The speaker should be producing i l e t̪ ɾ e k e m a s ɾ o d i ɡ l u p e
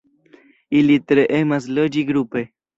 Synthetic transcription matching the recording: i l i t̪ ɾ e ʔ e m a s l o d͡ʒ i ɡ ɾ u p e